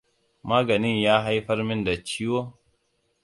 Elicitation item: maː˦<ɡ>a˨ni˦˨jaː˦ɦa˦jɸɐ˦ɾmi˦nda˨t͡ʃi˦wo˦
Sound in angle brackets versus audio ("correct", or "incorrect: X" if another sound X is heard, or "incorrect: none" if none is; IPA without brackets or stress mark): correct